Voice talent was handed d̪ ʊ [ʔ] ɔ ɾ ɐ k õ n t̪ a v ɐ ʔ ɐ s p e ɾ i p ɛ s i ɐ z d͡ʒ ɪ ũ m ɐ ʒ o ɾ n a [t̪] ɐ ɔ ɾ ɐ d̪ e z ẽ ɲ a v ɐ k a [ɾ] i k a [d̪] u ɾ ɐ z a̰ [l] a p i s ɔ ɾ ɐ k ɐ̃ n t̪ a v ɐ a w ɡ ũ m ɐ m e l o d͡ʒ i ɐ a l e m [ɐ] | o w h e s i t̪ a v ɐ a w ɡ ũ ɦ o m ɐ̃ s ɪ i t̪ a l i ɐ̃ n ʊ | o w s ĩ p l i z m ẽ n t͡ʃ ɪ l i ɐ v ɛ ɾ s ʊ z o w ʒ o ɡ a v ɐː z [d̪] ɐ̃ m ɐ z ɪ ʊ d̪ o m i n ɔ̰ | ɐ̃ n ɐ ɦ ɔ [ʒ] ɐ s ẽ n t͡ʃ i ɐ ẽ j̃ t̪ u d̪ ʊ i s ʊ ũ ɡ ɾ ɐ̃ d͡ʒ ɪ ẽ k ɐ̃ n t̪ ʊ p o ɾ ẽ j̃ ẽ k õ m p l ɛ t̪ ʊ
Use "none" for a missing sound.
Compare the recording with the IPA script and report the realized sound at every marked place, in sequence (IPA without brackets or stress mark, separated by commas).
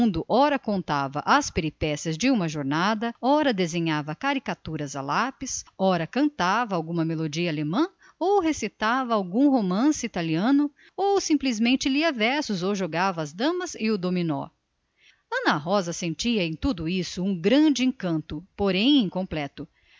ʔ, d̪, ɾ, t̪, l, ɐ̃, d̪, z